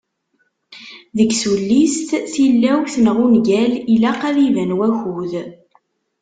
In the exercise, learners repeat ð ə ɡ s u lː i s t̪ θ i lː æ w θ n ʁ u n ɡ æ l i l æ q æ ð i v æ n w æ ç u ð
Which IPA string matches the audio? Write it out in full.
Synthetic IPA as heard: ð ə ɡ s u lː i s t̪ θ i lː æ w θ n ʁ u n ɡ æ l i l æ q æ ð i v æ n w æ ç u ð